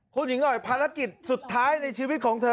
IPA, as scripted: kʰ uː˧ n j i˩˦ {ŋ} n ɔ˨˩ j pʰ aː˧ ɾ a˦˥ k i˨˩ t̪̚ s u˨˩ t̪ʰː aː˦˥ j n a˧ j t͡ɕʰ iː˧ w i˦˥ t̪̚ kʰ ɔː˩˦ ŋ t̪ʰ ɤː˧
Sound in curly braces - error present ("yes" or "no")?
no